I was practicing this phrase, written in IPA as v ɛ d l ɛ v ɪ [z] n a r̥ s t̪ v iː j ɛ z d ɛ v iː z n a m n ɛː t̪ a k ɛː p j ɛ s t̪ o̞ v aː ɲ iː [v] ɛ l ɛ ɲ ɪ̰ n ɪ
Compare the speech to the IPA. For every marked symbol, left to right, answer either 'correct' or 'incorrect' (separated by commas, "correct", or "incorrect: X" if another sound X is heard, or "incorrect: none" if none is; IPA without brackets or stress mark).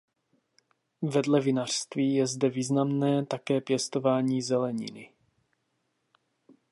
incorrect: none, incorrect: z